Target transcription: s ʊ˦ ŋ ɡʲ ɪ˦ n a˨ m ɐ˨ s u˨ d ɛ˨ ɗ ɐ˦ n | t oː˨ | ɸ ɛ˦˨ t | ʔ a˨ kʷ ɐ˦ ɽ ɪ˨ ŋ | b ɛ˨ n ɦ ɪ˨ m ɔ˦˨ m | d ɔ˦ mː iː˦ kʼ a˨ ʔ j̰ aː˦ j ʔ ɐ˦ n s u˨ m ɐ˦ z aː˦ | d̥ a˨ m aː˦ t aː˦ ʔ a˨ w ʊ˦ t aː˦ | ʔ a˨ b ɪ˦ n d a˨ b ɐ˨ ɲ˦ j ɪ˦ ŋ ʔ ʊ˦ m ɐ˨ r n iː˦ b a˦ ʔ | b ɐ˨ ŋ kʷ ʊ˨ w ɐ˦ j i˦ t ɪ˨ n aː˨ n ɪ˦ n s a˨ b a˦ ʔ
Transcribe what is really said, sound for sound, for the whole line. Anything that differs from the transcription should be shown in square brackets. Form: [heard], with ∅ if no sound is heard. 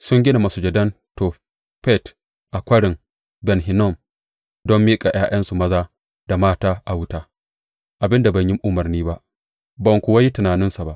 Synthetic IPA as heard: s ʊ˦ ŋ ɡʲ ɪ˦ n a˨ m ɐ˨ s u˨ [d͡ʒ] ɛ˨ [d] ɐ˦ n | t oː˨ | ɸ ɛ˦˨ t | ʔ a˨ kʷ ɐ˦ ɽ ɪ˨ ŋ | b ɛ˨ n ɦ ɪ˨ [n] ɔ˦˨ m | d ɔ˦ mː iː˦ kʼ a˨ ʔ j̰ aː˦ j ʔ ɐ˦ n s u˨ m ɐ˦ z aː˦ | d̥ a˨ m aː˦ t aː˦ ʔ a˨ w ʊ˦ t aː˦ | ʔ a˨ b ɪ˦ n d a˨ b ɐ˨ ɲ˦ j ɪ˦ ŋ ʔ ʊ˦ m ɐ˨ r n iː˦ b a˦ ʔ | b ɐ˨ ŋ kʷ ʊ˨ w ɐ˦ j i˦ t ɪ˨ n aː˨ n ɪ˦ n s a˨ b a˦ ʔ